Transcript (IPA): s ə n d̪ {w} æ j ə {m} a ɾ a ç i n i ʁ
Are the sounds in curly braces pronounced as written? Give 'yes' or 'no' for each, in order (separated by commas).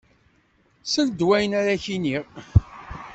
yes, no